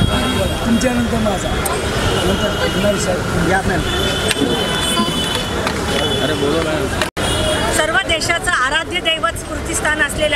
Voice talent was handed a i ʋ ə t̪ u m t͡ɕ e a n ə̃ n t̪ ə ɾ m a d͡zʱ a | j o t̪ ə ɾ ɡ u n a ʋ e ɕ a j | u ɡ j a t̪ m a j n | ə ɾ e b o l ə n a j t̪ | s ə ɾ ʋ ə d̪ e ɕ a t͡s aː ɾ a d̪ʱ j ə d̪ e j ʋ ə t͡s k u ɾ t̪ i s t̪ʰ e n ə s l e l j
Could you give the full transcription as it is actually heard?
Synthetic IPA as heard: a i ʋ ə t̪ u m t͡ɕ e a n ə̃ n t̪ ə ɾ m a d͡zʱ a | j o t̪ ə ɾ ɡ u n a ʋ i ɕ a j | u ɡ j a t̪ n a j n | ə ɾ e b o l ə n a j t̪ | s ə ɾ ʋ ə d̪ e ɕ a t͡s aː ɾ a d̪ʱ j ə d̪ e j ʋ ə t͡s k u ɾ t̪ i s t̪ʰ a n ə s l e l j